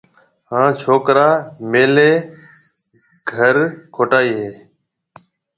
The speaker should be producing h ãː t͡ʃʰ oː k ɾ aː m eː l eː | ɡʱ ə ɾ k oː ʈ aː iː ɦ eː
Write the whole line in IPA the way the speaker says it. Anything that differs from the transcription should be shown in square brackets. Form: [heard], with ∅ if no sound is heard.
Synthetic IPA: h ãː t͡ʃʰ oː k ɾ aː m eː l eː | ɡʱ ə ɾ [kʰ] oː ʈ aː iː ɦ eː